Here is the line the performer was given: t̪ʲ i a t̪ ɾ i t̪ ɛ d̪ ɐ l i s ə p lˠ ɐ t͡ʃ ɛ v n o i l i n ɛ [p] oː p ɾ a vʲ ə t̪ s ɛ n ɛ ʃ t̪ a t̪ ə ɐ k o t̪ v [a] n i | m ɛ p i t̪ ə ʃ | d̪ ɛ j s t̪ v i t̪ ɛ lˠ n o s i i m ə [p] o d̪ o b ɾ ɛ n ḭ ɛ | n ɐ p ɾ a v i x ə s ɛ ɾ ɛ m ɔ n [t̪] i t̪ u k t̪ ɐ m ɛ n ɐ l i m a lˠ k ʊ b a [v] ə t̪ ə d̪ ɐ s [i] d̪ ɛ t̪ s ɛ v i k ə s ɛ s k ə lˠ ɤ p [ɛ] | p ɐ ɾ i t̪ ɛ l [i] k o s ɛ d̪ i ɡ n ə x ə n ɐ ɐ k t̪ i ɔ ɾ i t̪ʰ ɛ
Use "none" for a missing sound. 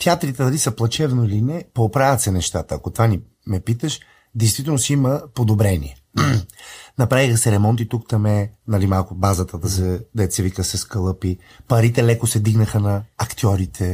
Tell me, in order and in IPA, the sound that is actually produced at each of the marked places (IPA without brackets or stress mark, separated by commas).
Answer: p, a, p, t̪, z, ɛ, i, ɛ